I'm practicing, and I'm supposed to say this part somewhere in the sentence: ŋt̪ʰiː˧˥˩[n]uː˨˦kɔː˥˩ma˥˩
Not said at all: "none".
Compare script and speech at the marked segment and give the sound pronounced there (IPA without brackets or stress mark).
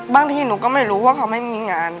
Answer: n